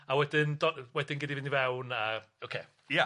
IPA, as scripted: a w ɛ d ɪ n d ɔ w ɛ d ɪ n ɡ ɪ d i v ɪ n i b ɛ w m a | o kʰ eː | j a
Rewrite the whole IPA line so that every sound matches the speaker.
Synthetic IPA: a w ɛ d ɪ n d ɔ w ɛ d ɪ n ɡ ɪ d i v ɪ n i v ɛ w n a | o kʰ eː | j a